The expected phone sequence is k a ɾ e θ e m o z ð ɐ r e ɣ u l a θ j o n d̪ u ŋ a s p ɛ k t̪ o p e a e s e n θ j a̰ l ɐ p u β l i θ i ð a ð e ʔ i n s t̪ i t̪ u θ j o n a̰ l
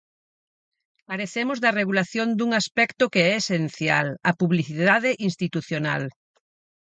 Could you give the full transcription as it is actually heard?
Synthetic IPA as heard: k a ɾ e θ e m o z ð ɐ r e ɣ u l a θ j o n d̪ u ŋ a s p ɛ k t̪ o k e ɛ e s e n θ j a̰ l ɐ p u β l i θ i ð a ð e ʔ i n s t̪ i t̪ u θ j o n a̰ l